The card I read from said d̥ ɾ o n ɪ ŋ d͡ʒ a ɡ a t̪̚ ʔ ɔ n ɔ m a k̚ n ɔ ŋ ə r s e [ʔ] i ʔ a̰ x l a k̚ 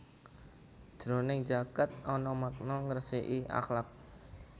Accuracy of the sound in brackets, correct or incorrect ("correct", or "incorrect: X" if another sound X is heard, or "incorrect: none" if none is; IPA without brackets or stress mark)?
correct